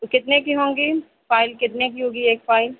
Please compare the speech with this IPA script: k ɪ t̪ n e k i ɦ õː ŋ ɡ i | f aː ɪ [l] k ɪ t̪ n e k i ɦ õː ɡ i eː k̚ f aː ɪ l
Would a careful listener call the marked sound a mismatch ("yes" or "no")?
no